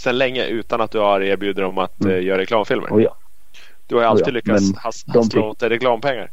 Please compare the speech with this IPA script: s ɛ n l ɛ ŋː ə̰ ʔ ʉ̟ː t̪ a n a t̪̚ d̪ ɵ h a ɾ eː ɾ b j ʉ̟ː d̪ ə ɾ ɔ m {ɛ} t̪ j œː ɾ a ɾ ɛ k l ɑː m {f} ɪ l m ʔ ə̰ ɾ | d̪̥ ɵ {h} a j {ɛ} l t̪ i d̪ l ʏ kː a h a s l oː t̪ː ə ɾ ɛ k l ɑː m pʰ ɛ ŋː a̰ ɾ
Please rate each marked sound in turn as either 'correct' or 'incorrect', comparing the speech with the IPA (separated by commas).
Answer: incorrect, correct, correct, incorrect